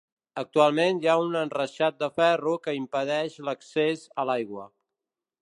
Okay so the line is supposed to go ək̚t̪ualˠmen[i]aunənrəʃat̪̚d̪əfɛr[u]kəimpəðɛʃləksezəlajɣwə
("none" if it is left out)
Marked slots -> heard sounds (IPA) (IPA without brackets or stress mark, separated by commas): j, u